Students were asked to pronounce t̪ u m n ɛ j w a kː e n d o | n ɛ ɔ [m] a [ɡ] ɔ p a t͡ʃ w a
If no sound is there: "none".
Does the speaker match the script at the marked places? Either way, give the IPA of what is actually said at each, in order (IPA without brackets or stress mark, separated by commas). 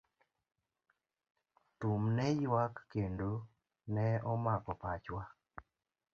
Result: m, k